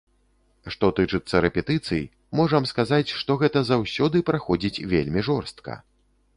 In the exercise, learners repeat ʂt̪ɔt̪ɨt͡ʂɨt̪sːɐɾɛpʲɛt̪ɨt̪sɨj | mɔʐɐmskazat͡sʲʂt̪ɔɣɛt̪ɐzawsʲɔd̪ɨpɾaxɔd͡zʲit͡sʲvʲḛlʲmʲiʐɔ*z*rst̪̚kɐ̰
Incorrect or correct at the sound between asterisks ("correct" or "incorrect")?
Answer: incorrect